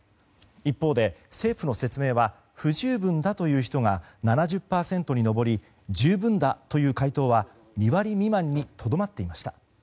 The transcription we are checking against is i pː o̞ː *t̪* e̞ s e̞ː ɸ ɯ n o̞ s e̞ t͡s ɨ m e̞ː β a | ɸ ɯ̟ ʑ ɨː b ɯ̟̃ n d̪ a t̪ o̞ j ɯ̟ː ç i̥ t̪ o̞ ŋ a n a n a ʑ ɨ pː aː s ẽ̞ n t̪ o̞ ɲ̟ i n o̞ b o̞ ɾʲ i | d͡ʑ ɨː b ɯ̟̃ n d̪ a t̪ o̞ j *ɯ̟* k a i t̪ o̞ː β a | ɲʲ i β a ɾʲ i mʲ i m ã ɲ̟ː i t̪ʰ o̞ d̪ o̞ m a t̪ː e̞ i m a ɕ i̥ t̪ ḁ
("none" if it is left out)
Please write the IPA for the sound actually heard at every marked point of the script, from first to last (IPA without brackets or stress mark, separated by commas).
d̪, ɯ̟ː